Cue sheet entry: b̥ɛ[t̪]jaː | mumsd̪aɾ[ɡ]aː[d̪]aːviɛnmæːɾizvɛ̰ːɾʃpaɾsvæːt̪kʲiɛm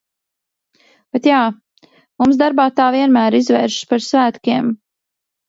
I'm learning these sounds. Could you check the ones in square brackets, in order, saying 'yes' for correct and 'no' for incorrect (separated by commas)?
yes, no, no